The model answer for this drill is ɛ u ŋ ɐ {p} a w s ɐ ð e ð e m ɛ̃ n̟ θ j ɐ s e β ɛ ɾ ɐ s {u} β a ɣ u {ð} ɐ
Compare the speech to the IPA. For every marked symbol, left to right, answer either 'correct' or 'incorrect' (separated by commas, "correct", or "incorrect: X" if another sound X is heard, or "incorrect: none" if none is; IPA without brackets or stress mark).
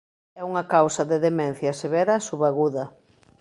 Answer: incorrect: k, correct, correct